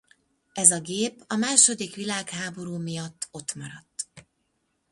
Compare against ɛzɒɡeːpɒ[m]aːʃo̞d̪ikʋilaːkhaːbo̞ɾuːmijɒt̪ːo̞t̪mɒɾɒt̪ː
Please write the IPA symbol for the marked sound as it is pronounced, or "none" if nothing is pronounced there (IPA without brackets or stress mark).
m